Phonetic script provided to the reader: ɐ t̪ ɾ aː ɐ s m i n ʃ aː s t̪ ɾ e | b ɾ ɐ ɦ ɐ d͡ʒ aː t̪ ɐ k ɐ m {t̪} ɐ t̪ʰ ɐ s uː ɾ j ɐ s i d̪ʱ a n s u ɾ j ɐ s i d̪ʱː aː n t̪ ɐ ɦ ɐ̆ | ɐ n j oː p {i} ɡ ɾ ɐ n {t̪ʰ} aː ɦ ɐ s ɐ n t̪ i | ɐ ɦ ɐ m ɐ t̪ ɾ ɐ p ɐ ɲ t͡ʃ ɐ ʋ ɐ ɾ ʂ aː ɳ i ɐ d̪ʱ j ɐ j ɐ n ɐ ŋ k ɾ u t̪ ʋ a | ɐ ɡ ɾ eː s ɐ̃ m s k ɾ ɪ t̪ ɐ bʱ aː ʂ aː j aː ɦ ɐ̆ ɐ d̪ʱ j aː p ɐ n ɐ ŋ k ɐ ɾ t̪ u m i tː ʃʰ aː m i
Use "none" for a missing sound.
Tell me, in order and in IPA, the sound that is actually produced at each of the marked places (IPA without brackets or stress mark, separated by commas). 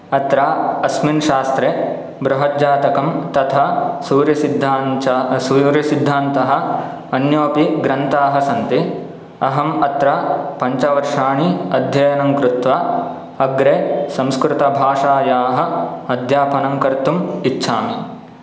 t̪, i, t̪